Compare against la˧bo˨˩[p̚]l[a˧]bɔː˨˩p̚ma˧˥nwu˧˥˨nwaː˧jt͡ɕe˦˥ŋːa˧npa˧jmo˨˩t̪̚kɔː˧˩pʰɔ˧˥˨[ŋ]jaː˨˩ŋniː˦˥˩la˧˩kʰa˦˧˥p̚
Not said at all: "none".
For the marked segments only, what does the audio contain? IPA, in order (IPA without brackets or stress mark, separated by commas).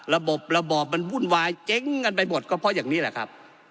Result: p̚, a˧, none